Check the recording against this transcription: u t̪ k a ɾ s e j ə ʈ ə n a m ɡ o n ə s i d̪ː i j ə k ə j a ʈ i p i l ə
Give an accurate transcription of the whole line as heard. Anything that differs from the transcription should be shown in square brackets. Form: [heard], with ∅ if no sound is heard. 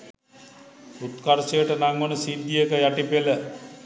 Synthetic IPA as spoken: u t̪ k a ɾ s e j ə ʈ ə n a [ŋ] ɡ o n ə s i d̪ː i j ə k ə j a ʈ i p [e] l ə